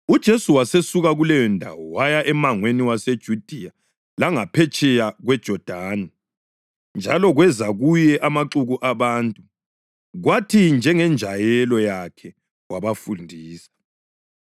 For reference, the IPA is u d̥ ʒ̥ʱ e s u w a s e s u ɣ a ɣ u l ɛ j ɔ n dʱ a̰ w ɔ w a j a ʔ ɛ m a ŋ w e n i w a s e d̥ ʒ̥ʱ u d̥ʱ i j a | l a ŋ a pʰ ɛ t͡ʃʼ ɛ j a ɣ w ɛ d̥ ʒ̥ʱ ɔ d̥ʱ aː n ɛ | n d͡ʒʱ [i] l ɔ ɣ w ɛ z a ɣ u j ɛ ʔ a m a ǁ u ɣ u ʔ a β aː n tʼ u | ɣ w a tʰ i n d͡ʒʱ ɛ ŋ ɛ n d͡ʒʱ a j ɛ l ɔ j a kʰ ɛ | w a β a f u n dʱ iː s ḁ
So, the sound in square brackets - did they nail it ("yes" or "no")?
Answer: no